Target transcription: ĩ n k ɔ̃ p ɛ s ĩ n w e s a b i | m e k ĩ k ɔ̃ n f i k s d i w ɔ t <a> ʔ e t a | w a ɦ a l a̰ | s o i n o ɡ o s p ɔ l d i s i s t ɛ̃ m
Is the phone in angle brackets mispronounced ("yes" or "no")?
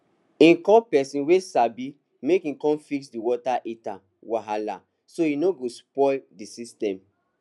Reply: no